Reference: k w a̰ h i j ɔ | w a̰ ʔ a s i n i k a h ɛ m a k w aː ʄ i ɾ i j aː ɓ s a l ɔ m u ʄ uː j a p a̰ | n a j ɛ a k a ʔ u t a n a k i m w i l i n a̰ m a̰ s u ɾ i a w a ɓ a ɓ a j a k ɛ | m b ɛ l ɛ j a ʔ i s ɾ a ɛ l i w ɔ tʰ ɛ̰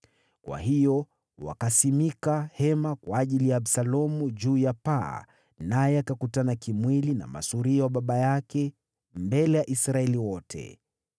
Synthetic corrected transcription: k w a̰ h i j ɔ | w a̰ k a s i m i k a h ɛ m a k w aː ʄ i l i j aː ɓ s a l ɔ m u ʄ uː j a p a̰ | n a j ɛ a k a k u t a n a k i m w i l i n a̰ m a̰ s u ɾ i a w a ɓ a ɓ a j a k ɛ | m b ɛ l ɛ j a ʔ i s ɾ a ɛ l i w ɔ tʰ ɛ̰